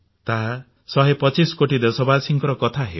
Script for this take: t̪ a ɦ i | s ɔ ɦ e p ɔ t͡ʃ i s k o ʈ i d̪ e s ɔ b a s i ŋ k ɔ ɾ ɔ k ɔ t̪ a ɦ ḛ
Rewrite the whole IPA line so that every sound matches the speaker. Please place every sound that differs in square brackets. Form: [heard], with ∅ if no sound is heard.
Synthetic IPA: t̪ a ɦ [a] | s ɔ ɦ e p ɔ t͡ʃ i s k o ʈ i d̪ e s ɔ b a s i ŋ k ɔ ɾ ɔ k ɔ [t̪ʰ] a ɦ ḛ